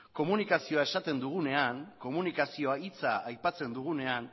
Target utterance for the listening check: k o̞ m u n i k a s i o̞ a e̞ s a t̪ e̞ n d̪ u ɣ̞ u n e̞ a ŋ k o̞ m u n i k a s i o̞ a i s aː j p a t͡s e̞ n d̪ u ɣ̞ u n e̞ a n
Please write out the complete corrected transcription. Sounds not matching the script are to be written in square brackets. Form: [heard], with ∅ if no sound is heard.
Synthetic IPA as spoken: k o̞ m u n i k a s i o̞ a e̞ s a t̪ e̞ n d̪ u ɣ̞ u n e̞ a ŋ k o̞ m u n i k a s i o̞ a i [t͡s] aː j p a t͡s e̞ n d̪ u ɣ̞ u n e̞ a n